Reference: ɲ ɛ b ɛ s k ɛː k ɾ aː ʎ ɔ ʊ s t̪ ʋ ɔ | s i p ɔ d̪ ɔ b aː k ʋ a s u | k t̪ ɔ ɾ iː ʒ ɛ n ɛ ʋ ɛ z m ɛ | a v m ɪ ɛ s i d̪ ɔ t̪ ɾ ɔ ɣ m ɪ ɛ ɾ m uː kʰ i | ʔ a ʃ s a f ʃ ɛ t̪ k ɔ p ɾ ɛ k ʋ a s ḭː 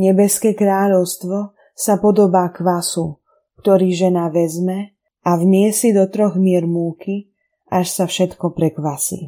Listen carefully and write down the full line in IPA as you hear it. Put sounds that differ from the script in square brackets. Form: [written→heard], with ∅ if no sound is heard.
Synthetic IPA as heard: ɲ ɛ b ɛ s k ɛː k ɾ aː ʎ ɔ ʊ s t̪ ʋ ɔ | s [i→a] p ɔ d̪ ɔ b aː k ʋ a s u | k t̪ ɔ ɾ iː ʒ ɛ n [ɛ→a] ʋ ɛ z m ɛ | a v m ɪ ɛ s i d̪ ɔ t̪ ɾ ɔ ɣ m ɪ ɛ ɾ m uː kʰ i | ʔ a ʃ s a f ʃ ɛ t̪ k ɔ p ɾ ɛ k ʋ a s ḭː